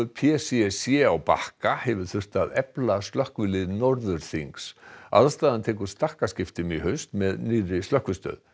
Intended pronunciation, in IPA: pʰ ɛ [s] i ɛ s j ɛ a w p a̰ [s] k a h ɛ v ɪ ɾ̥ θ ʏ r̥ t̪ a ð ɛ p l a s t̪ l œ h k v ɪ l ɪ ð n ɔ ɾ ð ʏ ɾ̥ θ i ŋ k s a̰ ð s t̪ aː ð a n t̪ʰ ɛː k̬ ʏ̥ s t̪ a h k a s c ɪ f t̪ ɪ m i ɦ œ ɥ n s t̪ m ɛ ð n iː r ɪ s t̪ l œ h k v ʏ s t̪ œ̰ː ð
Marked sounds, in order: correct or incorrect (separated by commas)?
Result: correct, incorrect